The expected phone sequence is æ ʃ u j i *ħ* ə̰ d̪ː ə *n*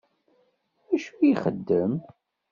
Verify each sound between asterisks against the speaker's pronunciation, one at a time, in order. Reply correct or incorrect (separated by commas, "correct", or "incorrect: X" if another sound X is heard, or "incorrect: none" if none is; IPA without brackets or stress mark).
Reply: incorrect: χ, incorrect: m